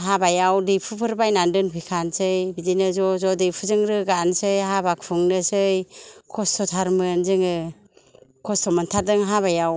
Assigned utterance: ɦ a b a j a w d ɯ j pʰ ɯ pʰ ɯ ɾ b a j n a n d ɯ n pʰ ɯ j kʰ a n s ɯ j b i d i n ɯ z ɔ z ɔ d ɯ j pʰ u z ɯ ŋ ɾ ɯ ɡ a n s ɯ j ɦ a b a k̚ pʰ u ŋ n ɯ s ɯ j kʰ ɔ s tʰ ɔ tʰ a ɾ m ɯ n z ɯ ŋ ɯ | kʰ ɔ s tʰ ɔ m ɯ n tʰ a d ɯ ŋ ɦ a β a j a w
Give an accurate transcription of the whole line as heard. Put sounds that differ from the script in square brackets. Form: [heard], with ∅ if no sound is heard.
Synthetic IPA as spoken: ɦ a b a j a w d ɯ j pʰ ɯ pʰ ɯ ɾ b a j n a n d ɯ n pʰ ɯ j kʰ a n s ɯ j b i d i n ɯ z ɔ z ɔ d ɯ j pʰ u z ɯ ŋ ɾ ɯ ɡ a n s ɯ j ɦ a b a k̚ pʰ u ŋ n ɯ s ɯ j kʰ ɔ s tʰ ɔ tʰ a ɾ m ɯ n z ɯ ŋ ɯ | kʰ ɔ s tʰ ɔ m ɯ n tʰ a d ɯ ŋ ɦ a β a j a w

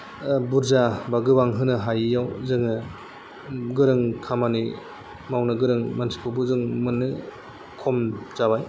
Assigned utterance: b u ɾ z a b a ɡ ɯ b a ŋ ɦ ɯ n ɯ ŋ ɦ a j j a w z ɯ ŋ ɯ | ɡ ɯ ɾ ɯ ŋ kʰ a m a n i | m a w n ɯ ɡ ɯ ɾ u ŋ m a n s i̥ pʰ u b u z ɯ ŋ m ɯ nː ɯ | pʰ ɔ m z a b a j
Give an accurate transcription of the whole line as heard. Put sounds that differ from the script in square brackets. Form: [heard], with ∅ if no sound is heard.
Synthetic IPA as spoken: b u ɾ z a b a ɡ ɯ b a ŋ ɦ ɯ n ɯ [∅] ɦ a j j a w z ɯ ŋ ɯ | ɡ ɯ ɾ ɯ ŋ kʰ a m a n i | m a w n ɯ ɡ ɯ ɾ [ɯ] ŋ m a n s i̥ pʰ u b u z ɯ ŋ m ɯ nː ɯ | [kʰ] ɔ m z a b a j

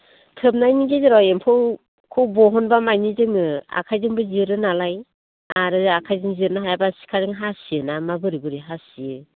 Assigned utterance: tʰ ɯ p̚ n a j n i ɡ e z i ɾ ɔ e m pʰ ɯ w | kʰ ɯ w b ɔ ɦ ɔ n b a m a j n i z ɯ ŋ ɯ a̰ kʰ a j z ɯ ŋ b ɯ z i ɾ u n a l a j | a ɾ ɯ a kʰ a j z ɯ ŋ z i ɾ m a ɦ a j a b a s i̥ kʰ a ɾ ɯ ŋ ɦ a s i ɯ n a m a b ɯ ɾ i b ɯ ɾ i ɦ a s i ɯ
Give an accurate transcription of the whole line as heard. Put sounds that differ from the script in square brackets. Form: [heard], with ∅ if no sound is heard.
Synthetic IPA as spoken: tʰ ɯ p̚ n a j n i ɡ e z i ɾ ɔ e m pʰ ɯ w | kʰ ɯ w b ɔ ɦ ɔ n b a m a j n i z ɯ ŋ ɯ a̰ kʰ a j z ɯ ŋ b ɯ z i ɾ [ɯ] n a l a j | a ɾ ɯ a kʰ a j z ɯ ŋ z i ɾ [n] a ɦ a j a b a s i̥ kʰ a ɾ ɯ ŋ ɦ a s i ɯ n a m a b ɯ ɾ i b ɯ ɾ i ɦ a s i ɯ

